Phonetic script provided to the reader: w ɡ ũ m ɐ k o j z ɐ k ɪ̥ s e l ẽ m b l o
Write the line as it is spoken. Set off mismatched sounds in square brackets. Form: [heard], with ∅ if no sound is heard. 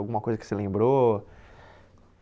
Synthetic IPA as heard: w ɡ ũ m ɐ k o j z ɐ k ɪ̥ s e l ẽ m b [ɾ] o